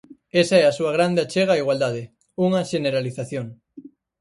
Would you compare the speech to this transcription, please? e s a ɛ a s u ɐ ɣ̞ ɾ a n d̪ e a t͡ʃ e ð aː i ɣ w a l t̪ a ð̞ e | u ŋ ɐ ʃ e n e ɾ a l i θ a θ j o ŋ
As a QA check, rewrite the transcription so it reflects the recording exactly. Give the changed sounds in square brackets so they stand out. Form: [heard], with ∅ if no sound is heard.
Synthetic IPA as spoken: e s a ɛ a s u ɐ ɣ̞ ɾ a n d̪ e a t͡ʃ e [ɣ] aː i ɣ w a l [d̪] a ð̞ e | u ŋ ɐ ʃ e n e ɾ a l i θ a θ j o ŋ